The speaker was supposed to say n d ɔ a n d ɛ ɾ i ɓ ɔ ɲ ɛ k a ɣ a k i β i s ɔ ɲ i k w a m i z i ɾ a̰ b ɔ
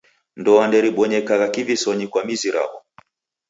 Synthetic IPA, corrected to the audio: n d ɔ a n d ɛ ɾ i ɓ ɔ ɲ ɛ k a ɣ a k i v i s ɔ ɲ i k w a m i z i ɾ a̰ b ɔ